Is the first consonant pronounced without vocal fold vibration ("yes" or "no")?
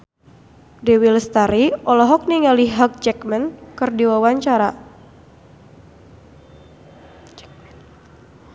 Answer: no